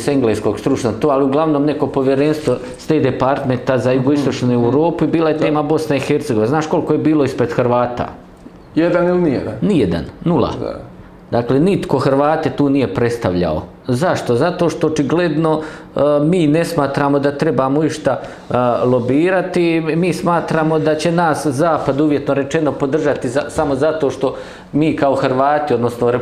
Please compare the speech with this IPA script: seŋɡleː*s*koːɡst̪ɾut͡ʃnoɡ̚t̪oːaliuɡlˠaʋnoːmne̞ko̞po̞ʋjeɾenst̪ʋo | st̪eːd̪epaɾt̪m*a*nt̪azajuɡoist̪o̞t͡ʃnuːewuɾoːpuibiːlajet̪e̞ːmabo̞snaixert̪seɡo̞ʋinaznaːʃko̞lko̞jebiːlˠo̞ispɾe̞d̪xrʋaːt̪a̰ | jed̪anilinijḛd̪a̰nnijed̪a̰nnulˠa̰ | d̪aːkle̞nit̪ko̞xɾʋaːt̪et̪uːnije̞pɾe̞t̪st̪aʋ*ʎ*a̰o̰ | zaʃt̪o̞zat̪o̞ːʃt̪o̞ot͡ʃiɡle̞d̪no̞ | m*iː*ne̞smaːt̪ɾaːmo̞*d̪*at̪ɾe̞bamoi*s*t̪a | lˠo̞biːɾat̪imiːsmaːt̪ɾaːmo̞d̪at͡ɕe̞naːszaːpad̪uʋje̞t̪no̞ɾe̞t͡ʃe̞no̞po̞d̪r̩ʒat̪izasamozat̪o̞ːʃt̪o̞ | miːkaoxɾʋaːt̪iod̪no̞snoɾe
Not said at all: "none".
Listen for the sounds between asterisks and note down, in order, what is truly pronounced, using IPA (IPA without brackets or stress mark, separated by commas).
s, e, ʎ, iː, d̪, ʃ